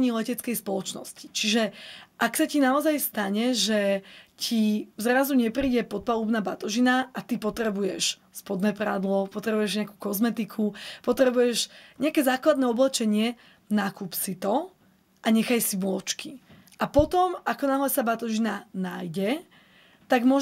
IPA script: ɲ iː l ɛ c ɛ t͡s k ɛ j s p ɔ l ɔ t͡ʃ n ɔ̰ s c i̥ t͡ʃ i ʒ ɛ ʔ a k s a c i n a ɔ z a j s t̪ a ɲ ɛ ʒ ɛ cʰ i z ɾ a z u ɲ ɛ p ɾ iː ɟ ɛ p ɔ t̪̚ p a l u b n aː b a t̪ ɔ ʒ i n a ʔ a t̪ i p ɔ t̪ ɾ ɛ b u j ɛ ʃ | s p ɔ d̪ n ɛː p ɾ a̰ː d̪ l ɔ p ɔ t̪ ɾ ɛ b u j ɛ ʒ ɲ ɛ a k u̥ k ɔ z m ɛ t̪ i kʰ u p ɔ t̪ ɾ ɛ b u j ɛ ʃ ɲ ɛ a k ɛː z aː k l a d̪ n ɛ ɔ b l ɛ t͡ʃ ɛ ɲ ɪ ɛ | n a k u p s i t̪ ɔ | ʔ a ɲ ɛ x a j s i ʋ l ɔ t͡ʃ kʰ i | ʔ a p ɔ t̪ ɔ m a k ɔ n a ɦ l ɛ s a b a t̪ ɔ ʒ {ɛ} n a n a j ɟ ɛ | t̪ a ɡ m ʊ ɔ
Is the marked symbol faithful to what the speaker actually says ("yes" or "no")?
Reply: no